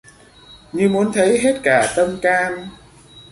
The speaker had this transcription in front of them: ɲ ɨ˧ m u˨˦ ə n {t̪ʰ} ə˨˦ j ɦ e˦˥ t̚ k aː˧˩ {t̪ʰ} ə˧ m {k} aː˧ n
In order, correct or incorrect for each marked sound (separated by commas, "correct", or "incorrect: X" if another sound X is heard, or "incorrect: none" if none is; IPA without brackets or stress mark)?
correct, incorrect: t̪, correct